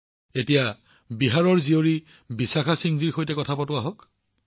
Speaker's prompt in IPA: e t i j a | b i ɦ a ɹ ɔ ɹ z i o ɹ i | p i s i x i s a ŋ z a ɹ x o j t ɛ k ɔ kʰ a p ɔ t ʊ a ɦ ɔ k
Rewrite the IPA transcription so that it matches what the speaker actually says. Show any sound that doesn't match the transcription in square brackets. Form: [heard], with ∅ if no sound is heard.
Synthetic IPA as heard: e t i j a | b i ɦ a ɹ ɔ ɹ z i o ɹ i | [b] i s [a] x [a] s [i] ŋ z [i] ɹ x o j t ɛ k ɔ [tʰ] a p ɔ t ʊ a ɦ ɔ k